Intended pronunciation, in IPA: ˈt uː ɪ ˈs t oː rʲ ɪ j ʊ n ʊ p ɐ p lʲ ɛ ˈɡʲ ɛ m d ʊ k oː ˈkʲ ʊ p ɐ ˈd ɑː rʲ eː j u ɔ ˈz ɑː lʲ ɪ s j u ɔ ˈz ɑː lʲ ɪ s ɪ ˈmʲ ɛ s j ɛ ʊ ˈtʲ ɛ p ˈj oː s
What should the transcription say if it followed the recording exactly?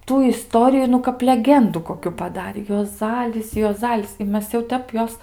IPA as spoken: ˈt uː ɪ ˈs t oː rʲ ɪ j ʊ n ʊ k ɐ p lʲ ɛ ˈɡʲ ɛ n d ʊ k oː ˈkʲ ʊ p ɐ ˈd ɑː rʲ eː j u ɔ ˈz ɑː lʲ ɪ s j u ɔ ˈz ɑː lʲ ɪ s ɪ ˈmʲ ɛ s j ɛ ʊ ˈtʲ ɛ p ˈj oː s